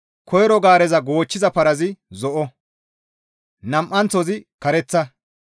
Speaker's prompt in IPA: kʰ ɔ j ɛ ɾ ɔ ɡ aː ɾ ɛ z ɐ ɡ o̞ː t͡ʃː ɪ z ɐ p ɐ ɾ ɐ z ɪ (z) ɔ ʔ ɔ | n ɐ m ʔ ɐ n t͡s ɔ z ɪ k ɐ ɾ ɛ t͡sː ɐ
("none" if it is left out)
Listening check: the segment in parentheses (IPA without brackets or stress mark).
z